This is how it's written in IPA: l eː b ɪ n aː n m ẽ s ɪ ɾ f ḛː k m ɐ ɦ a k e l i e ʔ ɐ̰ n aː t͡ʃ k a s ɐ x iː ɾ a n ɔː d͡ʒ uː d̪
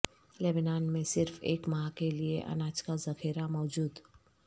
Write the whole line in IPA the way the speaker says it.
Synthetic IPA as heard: l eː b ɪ n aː n m ẽ s ɪ ɾ f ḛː k m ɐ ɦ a k e l i e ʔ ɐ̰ n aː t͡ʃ k a z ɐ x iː ɾ a m ɔː d͡ʒ uː d̪

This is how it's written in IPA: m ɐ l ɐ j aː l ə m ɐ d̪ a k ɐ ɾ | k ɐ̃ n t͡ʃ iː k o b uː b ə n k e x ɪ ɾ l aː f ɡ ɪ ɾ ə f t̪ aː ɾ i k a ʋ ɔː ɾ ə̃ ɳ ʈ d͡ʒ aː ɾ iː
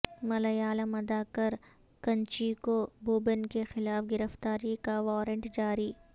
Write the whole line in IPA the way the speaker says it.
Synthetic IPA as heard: m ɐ l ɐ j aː l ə m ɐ d̪ a k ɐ ɾ | k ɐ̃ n t͡ʃ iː k o b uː b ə n k e x ɪ l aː f ɡ ɪ ɾ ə f t̪ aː ɾ i k a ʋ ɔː ɾ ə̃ ɳ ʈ d͡ʒ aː ɾ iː

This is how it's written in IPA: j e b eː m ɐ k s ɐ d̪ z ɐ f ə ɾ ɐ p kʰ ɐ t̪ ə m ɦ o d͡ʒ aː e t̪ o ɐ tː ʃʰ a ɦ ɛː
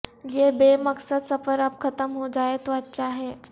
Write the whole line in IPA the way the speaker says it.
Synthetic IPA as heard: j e b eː m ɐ k s ə d̪ s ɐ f ə ɾ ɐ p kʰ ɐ t̪ ə m ɦ o d͡ʒ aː e t̪ o ɐ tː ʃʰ a ɦ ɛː

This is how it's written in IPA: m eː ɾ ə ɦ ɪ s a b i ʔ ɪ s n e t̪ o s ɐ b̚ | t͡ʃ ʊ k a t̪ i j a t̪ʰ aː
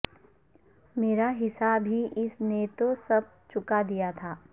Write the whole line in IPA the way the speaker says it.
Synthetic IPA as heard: m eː ɾ a ɦ ɪ s a b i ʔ ɪ s n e t̪ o s ɐ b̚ | t͡ʃ ʊ k a d̪ i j a t̪ʰ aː

